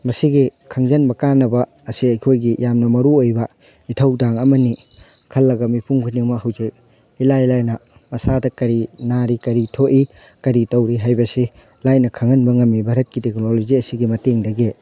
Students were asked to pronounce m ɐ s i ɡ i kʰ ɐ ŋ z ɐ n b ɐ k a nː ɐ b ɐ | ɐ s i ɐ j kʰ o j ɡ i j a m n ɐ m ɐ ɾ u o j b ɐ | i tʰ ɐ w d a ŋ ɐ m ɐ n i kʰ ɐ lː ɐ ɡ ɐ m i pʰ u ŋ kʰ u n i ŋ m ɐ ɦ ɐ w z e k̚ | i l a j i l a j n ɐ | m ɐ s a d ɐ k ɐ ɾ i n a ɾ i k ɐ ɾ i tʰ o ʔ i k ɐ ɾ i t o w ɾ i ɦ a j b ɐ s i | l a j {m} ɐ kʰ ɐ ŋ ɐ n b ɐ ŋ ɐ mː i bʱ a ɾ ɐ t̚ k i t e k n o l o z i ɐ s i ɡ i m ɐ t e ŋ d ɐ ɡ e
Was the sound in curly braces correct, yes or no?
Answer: no